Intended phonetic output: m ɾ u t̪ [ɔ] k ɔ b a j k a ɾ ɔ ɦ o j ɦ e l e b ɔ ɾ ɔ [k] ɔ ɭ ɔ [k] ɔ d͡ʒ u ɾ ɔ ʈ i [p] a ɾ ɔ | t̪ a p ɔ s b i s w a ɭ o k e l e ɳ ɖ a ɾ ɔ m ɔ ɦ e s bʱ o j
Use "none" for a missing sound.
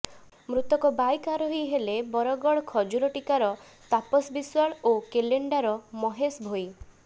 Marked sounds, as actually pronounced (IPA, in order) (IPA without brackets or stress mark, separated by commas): ɔ, ɡ, kʰ, k